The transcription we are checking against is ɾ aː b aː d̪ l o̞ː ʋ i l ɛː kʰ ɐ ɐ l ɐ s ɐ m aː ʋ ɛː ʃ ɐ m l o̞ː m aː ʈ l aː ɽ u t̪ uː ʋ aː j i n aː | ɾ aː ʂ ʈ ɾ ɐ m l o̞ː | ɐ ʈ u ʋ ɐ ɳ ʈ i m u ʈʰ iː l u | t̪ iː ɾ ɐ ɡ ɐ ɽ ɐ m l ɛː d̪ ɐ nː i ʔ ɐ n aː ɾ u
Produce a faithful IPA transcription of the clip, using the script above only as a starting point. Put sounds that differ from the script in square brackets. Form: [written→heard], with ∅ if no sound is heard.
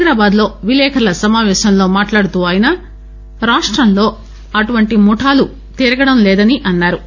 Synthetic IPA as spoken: ɾ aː b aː d̪ l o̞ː ʋ i l ɛː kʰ ɐ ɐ l ɐ s ɐ m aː ʋ ɛː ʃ ɐ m l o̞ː m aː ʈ l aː ɽ u t̪ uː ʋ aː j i n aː | ɾ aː ʂ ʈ ɾ ɐ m l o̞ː | ɐ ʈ u ʋ ɐ ɳ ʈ i m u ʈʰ [iː→aː] l u | t̪ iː ɾ ɐ ɡ ɐ ɽ ɐ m l ɛː d̪ ɐ [nː→n] i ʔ ɐ [n→nː] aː ɾ u

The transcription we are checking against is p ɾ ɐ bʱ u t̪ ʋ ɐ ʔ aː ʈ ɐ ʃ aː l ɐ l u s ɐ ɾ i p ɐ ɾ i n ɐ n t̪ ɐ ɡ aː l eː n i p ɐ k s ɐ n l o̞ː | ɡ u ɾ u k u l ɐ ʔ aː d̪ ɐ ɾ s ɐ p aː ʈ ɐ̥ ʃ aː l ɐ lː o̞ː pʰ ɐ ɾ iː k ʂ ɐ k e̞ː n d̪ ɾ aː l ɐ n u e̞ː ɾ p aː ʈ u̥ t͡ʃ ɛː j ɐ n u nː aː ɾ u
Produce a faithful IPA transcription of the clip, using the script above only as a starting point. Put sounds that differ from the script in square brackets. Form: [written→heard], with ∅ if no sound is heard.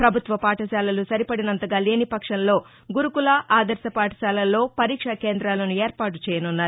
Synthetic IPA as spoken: p ɾ ɐ bʱ u t̪ ʋ ɐ [ʔ→p] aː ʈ ɐ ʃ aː l ɐ l u s ɐ ɾ i p ɐ [ɾ→ɽ] i n ɐ n t̪ ɐ ɡ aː l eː n i p ɐ k [s→ʂ] ɐ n l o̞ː | ɡ u ɾ u k u l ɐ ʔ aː d̪ ɐ ɾ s ɐ p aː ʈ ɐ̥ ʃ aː l ɐ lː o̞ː [pʰ→p] ɐ ɾ iː k ʂ ɐ k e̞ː n d̪ ɾ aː l ɐ n u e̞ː ɾ p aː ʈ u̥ t͡ʃ ɛː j ɐ n u nː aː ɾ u

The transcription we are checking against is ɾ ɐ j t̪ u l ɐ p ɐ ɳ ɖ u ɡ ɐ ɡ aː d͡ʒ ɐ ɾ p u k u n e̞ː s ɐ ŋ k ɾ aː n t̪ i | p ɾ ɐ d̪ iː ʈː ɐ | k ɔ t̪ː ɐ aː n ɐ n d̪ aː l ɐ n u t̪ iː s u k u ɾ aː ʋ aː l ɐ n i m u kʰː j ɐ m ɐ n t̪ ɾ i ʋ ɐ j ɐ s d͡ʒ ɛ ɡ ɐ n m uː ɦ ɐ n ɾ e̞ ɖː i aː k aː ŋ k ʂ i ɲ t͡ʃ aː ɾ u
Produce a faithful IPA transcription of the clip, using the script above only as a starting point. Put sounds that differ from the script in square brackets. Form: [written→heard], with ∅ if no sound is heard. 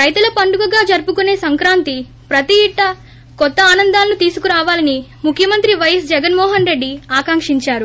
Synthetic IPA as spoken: ɾ ɐ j t̪ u l ɐ p ɐ ɳ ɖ u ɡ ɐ ɡ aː d͡ʒ ɐ ɾ p u k u n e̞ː s ɐ ŋ k ɾ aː n t̪ i | p ɾ ɐ [d̪→t̪] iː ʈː ɐ | k ɔ t̪ː ɐ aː n ɐ n d̪ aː l ɐ n u t̪ iː s u k u ɾ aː ʋ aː l ɐ n i m u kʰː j ɐ m ɐ n t̪ ɾ i ʋ ɐ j ɐ s d͡ʒ ɛ ɡ ɐ n m [uː→ɔː] ɦ ɐ n ɾ e̞ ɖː i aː k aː ŋ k ʂ i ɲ t͡ʃ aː ɾ u

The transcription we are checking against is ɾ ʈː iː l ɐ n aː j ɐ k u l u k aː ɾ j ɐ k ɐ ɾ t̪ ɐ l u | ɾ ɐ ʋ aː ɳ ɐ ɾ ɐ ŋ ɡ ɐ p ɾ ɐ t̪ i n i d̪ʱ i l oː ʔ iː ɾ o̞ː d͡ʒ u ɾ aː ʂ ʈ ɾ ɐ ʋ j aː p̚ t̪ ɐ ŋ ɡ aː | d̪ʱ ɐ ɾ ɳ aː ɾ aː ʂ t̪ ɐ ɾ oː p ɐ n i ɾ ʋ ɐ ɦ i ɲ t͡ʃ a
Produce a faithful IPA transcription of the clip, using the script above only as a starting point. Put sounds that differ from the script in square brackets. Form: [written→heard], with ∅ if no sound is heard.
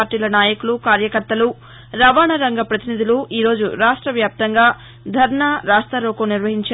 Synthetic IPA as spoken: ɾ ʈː iː l ɐ n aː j ɐ k u l u k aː ɾ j ɐ k ɐ ɾ t̪ ɐ l u | ɾ ɐ ʋ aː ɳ ɐ ɾ ɐ ŋ ɡ ɐ p ɾ ɐ t̪ i n i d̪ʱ i l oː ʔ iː ɾ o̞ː d͡ʒ u ɾ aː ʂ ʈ ɾ ɐ ʋ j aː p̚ t̪ ɐ ŋ ɡ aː | d̪ʱ ɐ ɾ ɳ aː ɾ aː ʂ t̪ ɐ ɾ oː [p→k] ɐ n i ɾ ʋ ɐ ɦ i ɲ t͡ʃ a

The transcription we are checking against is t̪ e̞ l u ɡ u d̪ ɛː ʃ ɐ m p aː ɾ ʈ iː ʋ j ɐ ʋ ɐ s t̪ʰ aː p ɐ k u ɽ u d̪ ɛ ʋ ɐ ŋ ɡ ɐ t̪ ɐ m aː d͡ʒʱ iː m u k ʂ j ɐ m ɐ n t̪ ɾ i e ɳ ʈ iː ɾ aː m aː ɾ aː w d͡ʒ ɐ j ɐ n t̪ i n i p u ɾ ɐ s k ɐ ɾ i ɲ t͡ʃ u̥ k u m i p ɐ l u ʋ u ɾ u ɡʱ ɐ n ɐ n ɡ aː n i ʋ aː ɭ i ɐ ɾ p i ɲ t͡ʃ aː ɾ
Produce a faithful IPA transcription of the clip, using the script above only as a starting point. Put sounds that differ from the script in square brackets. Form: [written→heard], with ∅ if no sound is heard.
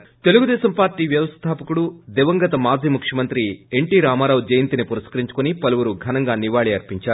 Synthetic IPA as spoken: t̪ e̞ l u ɡ u d̪ ɛː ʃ ɐ m p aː ɾ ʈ iː ʋ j ɐ ʋ ɐ s t̪ʰ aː p ɐ k u ɽ u d̪ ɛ ʋ ɐ ŋ ɡ ɐ t̪ ɐ m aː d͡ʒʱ iː m u k ʂ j ɐ m ɐ n t̪ ɾ i e ɳ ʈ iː ɾ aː m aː ɾ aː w d͡ʒ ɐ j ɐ n t̪ i n i p u ɾ ɐ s k ɐ ɾ i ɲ t͡ʃ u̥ k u [m→n] i p ɐ l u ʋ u ɾ u ɡʱ ɐ n ɐ [n→ŋ] ɡ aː n i ʋ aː ɭ i ɐ ɾ p i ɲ t͡ʃ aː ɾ

